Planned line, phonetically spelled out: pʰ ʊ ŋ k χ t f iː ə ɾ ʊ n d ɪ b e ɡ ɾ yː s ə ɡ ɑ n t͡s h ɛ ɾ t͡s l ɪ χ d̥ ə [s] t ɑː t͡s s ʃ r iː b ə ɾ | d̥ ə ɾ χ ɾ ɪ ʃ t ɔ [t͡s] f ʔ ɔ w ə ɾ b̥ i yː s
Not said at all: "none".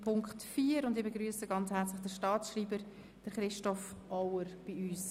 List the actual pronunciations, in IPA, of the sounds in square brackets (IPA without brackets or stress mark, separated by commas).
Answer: ʃ, none